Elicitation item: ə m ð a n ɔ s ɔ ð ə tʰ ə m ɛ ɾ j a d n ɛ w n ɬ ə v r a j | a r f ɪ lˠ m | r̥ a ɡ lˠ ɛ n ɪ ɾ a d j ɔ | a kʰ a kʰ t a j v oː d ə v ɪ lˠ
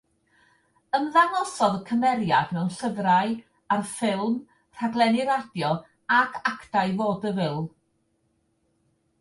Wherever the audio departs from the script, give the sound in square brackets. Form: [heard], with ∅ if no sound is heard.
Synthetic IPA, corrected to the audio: ə m ð a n ɔ s ɔ ð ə [kʰ] ə m ɛ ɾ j a d [m] ɛ w n ɬ ə v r a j | a r f ɪ lˠ m | r̥ a ɡ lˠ ɛ n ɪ ɾ a d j ɔ | a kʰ a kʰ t a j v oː d ə v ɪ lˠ

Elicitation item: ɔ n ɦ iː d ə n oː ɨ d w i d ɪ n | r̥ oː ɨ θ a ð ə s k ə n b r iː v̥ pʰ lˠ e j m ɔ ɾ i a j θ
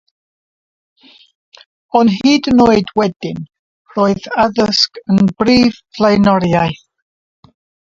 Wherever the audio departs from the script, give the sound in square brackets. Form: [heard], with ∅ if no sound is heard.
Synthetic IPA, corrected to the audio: ɔ n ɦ iː d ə n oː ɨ d w [ɛ] d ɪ n | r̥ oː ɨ [ð] a ð ə s k ə n b r iː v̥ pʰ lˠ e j [n] ɔ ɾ [j] a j θ

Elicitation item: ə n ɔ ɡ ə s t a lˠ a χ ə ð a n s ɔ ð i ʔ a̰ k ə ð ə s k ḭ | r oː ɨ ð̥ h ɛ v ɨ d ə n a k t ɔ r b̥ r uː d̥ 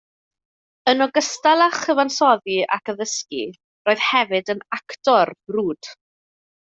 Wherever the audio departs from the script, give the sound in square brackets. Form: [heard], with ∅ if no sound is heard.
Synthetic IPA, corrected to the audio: ə n ɔ ɡ ə s t a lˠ a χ ə [v] a n s ɔ ð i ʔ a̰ k ə ð ə s k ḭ | r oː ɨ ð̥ h ɛ v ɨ d ə n a k t ɔ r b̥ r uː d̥

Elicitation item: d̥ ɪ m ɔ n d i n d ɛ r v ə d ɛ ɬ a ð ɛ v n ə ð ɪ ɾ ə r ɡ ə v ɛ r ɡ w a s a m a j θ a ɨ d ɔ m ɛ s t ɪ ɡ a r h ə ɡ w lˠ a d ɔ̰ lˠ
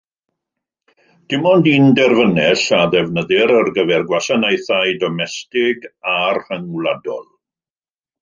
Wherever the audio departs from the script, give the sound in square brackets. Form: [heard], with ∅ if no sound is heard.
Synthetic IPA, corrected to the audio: d̥ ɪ m ɔ n d i n d ɛ r v ə [n] ɛ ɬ a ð ɛ v n ə ð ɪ ɾ ə r ɡ ə v ɛ r ɡ w a s a [n] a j θ a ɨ d ɔ m ɛ s t ɪ ɡ a r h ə [ŋ] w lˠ a d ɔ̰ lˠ

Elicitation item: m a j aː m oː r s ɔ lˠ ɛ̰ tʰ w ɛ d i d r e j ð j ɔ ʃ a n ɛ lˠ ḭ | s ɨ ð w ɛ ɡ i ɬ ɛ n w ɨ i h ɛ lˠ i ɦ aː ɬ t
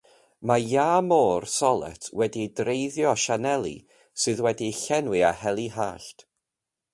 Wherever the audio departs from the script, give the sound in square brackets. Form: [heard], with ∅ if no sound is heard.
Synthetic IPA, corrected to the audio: m a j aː m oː r s ɔ lˠ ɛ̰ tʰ w ɛ d i d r e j ð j ɔ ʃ a n ɛ lˠ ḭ | s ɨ ð w ɛ [d] i ɬ ɛ n w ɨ [a] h ɛ lˠ i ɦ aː ɬ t

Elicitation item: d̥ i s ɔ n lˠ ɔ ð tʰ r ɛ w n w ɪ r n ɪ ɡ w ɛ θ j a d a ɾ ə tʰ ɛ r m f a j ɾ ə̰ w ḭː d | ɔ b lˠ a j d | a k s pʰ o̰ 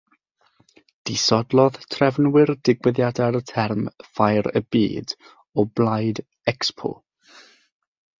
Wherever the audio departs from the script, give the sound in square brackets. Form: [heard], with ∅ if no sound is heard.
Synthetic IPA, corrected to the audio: d̥ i s ɔ [d] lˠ ɔ ð tʰ r ɛ [v] n w ɪ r [d] ɪ ɡ w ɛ [ð] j a d a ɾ ə tʰ ɛ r m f a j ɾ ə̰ [b] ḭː d | ɔ b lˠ a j d | [ɛ] k s pʰ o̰

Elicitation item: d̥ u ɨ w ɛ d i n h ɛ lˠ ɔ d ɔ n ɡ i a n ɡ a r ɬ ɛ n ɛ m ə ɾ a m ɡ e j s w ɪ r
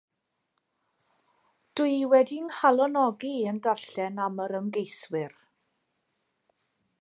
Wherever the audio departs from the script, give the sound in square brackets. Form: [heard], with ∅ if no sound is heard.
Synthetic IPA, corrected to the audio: d̥ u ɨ w ɛ d i n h [a] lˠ ɔ [n] ɔ [∅] ɡ i [ə] n [d] a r ɬ ɛ n [a] m ə ɾ [ə] m ɡ e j s w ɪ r

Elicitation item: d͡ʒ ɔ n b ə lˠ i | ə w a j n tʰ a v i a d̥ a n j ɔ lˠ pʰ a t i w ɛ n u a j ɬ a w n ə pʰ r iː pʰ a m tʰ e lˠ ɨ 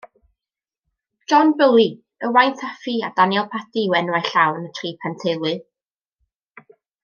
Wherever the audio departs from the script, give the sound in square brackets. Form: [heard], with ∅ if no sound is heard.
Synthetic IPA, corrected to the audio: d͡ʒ ɔ n b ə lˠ i | ə w a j n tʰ a [f] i a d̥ a n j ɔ lˠ pʰ a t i w ɛ n [w] a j ɬ a w n ə [tʰ] r iː pʰ a [n] tʰ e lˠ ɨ

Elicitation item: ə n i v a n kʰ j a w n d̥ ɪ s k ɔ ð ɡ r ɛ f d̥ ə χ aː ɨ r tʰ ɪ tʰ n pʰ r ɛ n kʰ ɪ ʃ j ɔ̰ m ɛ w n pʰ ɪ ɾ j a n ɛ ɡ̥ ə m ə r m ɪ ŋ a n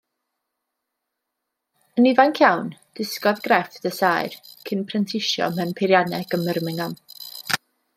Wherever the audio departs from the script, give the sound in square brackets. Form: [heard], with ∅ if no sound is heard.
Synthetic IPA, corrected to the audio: ə n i v a n kʰ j a w n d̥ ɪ s k ɔ ð ɡ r ɛ f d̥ ə [s] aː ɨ r [kʰ] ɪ [∅] n pʰ r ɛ n [tʰ] ɪ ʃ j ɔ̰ m ɛ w n pʰ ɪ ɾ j a n ɛ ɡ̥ ə m ə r m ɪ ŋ a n

